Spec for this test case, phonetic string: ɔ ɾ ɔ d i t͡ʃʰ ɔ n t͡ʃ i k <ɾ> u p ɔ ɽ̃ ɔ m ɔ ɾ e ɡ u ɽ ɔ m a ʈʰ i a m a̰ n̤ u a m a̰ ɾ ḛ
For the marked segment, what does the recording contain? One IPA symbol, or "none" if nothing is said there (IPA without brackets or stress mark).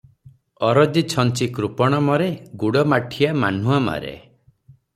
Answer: ɾ